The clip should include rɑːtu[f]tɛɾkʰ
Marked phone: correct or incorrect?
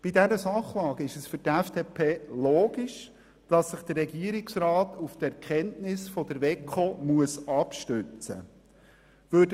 correct